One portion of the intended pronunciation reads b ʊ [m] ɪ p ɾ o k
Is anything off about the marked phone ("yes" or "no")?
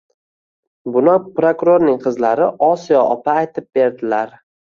yes